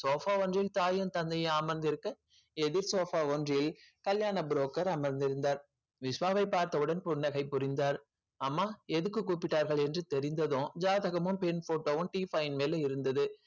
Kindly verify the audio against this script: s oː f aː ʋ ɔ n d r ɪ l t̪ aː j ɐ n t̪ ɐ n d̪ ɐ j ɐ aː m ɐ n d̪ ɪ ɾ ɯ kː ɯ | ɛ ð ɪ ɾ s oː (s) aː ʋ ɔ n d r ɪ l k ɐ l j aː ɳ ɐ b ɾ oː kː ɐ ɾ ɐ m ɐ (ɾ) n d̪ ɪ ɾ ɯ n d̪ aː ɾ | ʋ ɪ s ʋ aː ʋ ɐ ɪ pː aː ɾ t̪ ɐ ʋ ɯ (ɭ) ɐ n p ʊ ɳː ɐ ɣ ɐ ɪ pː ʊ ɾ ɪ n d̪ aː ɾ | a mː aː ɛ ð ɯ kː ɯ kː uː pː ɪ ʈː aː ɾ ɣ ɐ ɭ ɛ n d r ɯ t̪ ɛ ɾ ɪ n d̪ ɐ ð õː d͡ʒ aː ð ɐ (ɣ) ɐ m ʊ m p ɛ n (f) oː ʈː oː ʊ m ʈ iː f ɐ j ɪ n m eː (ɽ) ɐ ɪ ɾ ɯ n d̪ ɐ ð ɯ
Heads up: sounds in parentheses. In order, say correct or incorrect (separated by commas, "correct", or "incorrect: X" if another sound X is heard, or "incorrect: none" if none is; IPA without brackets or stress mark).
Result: incorrect: f, correct, incorrect: ɽ, correct, correct, incorrect: l